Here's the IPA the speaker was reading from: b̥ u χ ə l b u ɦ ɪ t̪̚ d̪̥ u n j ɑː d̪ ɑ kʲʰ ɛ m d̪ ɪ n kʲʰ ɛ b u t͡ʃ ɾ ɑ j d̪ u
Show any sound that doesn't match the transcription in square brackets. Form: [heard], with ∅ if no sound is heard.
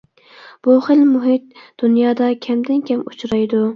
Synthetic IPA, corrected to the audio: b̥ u χ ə l [m] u ɦ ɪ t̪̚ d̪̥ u n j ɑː d̪ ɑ kʲʰ ɛ m d̪ ɪ n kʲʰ ɛ [m] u t͡ʃ ɾ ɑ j d̪ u